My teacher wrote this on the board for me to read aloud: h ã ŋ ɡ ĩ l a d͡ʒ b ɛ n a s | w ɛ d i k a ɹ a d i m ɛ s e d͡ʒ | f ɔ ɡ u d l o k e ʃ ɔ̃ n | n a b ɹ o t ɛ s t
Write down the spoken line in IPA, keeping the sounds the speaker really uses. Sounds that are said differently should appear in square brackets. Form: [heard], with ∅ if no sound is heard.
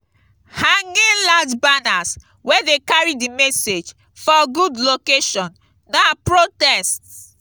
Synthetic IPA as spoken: h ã ŋ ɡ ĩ l a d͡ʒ b [a] n a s | w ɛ d [e] k a ɹ [i] d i m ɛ s e d͡ʒ | f ɔ ɡ u d l o k e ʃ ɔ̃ n | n a [p] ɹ o t ɛ s t